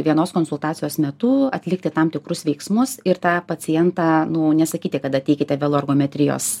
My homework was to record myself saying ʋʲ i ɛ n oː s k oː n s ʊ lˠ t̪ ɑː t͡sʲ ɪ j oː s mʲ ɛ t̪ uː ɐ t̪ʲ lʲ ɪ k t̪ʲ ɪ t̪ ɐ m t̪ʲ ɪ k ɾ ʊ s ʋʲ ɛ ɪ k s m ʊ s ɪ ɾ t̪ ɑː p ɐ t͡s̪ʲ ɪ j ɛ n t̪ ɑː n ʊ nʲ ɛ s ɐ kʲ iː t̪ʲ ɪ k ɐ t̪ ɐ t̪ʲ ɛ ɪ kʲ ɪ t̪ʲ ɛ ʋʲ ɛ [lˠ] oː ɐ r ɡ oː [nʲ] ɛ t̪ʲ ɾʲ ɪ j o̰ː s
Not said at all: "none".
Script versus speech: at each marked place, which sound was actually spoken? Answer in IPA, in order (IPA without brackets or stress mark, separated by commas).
lˠ, mʲ